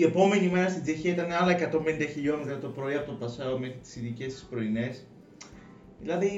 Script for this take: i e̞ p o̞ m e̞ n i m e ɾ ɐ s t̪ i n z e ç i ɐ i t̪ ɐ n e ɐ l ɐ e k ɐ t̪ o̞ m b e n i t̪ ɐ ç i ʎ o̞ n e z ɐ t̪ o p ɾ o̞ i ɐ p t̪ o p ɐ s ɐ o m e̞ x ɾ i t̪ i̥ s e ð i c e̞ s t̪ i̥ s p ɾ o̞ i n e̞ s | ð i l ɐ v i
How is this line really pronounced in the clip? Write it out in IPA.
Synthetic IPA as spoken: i e̞ p o̞ m e̞ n i m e ɾ ɐ s t̪ i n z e ç i ɐ i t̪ ɐ n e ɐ l ɐ e k ɐ t̪ o̞ m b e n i d̪ ɐ ç i ʎ o̞ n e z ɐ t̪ o p ɾ o̞ i ɐ p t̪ o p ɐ s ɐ o m e̞ x ɾ i t̪ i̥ s i ð i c e̞ s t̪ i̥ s p ɾ o̞ i n e̞ s | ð i l ɐ ð i